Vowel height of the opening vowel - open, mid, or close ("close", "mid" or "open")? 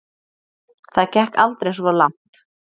open